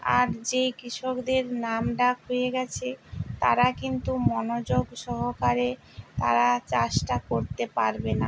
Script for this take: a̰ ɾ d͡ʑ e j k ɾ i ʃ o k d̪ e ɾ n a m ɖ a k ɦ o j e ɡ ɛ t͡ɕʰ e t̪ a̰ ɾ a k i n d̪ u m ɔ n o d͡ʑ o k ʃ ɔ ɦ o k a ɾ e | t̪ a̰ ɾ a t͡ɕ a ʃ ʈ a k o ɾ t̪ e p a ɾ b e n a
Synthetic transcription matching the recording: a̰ ɾ d͡ʑ e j k ɾ i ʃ o k d̪ e ɾ n a m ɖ a k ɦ o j e ɡ ɛ t͡ɕʰ e t̪ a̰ ɾ a k i n t̪ u m ɔ n o d͡ʑ o ɡ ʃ ɔ ɦ o k a ɾ e | t̪ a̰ ɾ a t͡ɕ a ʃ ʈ a k o ɾ t̪ e p a ɾ b e n a